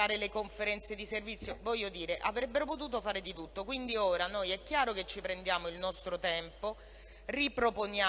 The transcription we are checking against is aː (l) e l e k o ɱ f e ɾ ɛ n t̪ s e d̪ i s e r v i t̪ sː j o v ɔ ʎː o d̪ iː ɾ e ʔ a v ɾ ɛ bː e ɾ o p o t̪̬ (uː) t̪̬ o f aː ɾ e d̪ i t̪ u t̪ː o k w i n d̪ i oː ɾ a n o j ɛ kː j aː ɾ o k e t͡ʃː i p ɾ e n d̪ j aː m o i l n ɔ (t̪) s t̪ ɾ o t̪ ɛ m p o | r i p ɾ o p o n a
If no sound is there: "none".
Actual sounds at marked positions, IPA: ɾ, uː, none

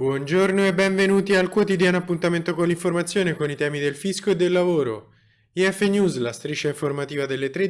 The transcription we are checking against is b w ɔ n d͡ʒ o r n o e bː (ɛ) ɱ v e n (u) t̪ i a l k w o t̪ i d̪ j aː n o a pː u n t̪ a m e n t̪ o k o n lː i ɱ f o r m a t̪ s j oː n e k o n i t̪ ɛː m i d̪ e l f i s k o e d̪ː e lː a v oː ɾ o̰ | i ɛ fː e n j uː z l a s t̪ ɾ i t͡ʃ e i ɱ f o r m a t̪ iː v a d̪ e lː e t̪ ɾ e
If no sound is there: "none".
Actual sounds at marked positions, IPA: ɛ, uː

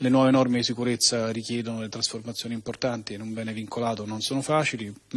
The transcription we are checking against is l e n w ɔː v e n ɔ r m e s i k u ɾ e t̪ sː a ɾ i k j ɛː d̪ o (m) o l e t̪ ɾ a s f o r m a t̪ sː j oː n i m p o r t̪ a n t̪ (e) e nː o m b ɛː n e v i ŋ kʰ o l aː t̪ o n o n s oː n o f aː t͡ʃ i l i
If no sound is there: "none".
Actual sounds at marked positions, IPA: n, i

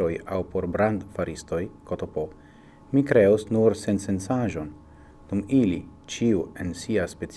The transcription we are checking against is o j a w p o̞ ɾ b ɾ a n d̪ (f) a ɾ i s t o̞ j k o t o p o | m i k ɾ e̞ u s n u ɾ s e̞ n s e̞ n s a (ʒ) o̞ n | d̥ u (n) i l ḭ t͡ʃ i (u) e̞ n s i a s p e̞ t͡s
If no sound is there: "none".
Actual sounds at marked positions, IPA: f, ʒ, m, u

